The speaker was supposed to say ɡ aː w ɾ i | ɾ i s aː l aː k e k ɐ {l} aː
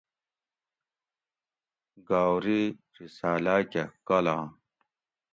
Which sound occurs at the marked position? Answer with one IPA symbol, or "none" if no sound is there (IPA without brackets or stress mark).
l